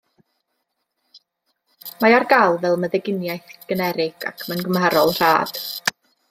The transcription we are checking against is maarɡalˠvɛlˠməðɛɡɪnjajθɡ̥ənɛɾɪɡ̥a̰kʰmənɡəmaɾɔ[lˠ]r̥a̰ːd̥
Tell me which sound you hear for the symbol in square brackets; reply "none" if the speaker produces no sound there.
lˠ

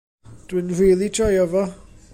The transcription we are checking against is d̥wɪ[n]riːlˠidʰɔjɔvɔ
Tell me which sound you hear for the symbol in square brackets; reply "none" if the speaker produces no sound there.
n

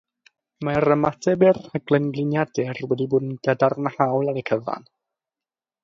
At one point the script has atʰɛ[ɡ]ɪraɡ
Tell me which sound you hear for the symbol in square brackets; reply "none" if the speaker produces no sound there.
b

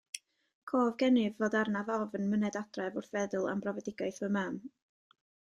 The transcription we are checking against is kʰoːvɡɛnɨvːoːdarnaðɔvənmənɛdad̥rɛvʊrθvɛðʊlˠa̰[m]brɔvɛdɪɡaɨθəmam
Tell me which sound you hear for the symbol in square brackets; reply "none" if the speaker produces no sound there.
m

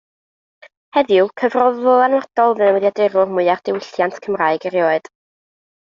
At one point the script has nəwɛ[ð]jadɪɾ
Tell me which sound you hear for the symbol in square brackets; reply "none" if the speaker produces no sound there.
ð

